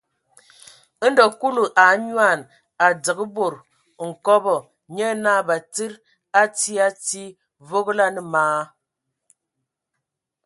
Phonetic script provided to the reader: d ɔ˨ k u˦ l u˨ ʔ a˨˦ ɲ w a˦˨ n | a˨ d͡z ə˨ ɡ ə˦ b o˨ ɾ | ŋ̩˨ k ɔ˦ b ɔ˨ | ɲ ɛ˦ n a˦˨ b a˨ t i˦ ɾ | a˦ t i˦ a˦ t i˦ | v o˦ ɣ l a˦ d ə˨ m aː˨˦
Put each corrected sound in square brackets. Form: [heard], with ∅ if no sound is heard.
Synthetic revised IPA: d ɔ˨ k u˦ l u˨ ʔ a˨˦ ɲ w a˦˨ n | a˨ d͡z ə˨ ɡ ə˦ b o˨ ɾ | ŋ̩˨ k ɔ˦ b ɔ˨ | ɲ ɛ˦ n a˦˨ b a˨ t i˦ ɾ | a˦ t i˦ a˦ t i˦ | v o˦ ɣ l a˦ [n] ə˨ m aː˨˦

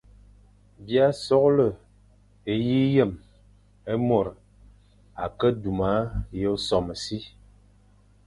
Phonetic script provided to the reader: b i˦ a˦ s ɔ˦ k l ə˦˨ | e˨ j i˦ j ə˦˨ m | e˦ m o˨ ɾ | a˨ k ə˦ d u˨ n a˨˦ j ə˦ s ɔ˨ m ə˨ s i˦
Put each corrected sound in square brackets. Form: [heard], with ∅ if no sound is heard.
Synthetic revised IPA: b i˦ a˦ s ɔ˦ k l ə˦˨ | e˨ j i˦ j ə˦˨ m | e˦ m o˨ ɾ | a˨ k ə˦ d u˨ [m] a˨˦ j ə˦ s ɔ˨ m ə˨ s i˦

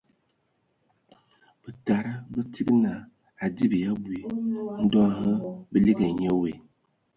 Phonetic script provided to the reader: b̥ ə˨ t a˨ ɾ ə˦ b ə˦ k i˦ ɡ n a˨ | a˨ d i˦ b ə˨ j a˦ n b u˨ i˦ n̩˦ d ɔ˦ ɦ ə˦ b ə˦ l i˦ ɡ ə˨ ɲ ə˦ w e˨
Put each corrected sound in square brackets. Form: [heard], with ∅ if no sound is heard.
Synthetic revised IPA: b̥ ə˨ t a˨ ɾ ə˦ b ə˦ [t] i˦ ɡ n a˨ | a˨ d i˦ b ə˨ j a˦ [∅] b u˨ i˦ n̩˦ d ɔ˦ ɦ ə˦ b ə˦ l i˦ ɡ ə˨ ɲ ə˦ w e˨

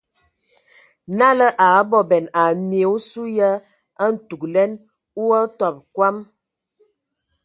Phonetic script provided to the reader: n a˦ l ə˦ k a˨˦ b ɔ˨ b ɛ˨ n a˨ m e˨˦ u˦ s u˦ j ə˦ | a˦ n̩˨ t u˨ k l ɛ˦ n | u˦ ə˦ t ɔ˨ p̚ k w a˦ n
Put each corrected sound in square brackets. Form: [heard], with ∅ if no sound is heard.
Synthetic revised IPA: n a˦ l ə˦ [ʔ] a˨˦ b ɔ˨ b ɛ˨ n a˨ m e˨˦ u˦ s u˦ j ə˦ | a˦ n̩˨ t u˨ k l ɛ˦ n | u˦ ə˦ t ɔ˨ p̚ k w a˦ [m]

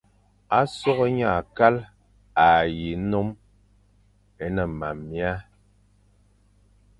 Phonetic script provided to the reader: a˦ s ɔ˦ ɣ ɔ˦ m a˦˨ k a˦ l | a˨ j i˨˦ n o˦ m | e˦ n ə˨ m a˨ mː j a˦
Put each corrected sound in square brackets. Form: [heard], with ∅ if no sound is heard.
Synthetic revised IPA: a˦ s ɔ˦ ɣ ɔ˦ [ɲ] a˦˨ k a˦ l | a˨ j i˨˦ n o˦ m | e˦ n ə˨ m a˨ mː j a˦

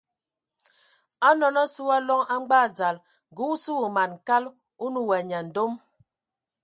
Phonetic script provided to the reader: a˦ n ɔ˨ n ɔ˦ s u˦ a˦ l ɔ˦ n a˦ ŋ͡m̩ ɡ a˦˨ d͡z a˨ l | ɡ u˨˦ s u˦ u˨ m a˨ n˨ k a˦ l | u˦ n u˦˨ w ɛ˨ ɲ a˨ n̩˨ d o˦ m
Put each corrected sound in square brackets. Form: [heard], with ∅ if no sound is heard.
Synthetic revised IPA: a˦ n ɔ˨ n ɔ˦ s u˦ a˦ l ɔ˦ [ŋ] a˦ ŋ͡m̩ [ɡ͡b] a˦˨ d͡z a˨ l | ɡ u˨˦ s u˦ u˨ m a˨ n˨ k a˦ l | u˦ n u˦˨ w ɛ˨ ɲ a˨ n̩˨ d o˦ m

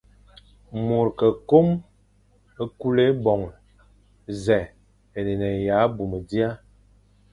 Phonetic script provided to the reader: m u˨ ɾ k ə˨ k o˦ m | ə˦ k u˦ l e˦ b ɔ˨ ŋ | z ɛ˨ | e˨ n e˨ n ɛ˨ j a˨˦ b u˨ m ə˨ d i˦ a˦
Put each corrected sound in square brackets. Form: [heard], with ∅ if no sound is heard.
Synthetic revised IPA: m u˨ ɾ k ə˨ k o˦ m | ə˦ k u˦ l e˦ b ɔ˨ ŋ | z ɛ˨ | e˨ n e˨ n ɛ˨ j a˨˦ b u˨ m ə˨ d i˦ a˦

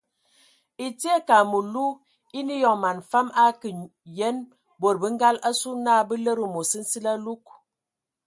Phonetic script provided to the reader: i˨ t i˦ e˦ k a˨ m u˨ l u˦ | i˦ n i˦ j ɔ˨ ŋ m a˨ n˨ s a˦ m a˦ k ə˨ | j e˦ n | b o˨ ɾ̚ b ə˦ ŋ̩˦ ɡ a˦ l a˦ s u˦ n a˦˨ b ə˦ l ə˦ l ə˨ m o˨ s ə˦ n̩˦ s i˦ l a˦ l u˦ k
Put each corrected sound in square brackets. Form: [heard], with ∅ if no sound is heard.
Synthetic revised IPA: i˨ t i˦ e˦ k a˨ m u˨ l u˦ | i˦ n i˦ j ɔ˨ ŋ m a˨ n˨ [f] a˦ m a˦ k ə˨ | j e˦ n | b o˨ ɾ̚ b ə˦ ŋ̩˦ ɡ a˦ l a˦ s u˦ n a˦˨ b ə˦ l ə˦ [ɾ] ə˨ m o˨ s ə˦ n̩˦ s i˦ l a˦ l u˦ k

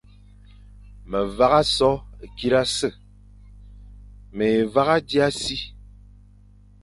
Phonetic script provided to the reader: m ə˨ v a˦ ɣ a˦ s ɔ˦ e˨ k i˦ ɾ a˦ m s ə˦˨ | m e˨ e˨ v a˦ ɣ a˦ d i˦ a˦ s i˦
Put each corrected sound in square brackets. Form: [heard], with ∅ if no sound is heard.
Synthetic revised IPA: m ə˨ v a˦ ɣ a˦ s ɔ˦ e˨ k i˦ ɾ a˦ [∅] s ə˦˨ | m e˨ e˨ v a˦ ɣ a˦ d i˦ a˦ s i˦

